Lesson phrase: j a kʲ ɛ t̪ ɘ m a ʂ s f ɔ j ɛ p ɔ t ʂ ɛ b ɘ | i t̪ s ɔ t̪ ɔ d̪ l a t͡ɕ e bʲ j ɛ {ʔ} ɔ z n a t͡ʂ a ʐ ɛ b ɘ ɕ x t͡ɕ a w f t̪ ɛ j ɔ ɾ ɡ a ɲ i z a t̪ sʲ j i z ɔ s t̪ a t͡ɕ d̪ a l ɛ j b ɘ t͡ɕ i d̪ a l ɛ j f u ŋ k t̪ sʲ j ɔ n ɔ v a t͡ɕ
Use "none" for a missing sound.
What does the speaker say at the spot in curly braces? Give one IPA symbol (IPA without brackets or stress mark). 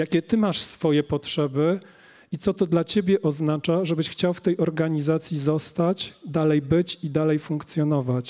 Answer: ʔ